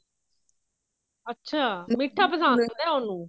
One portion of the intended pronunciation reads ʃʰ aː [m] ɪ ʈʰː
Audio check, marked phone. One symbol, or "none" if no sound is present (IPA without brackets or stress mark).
m